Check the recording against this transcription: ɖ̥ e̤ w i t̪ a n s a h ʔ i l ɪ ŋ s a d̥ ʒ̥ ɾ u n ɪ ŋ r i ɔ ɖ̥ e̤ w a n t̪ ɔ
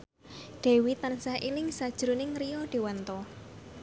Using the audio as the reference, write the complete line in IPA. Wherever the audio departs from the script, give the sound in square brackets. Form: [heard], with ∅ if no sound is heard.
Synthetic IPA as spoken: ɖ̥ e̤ w i t̪ a n s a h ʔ i l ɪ ŋ s a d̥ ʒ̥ ɾ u n ɪ ŋ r i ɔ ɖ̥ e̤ w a n t̪ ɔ